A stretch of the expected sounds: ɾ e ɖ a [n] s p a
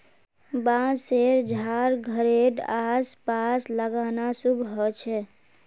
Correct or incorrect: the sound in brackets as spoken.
incorrect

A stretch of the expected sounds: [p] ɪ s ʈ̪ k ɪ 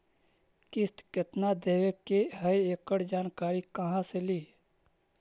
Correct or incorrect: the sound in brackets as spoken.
incorrect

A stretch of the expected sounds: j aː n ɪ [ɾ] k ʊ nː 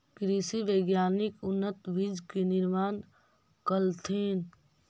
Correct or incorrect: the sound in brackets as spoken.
incorrect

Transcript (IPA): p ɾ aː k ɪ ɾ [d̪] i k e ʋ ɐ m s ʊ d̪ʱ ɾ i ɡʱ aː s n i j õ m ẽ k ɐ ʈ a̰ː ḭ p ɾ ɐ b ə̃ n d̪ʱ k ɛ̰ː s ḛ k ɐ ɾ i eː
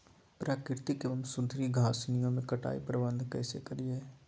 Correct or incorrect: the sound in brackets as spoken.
incorrect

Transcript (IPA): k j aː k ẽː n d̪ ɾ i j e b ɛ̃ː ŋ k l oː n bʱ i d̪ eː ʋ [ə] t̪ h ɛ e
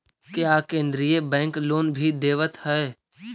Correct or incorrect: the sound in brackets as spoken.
correct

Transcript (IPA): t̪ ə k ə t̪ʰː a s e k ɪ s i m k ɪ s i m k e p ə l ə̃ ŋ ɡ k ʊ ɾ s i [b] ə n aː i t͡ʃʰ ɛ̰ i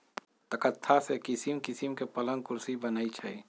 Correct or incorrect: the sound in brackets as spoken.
correct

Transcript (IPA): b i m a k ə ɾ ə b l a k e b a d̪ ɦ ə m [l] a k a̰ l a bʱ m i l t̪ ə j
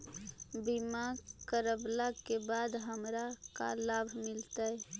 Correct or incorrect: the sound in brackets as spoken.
incorrect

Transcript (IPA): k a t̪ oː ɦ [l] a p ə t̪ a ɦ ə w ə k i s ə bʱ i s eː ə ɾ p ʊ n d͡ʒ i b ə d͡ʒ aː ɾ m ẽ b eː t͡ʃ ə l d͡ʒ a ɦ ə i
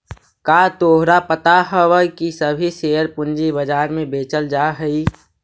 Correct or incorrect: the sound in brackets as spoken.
incorrect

